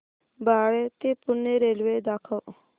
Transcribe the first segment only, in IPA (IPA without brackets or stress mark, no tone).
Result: b